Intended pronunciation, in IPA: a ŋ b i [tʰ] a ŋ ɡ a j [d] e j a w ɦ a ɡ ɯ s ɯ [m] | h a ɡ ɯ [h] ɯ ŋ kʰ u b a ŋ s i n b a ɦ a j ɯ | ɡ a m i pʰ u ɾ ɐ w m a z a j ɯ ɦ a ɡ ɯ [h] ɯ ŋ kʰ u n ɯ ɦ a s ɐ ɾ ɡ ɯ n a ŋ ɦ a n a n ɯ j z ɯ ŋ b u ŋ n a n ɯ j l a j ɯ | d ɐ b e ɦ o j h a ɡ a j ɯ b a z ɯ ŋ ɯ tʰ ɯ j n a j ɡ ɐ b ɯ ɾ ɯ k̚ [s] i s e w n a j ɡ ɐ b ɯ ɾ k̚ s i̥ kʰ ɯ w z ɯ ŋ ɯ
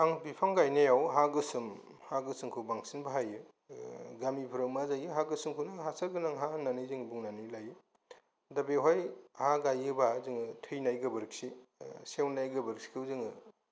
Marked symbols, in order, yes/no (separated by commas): no, no, yes, no, no, yes